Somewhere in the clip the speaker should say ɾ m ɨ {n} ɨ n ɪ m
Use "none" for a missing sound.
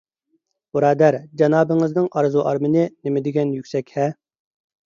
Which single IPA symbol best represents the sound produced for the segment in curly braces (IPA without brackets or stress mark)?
n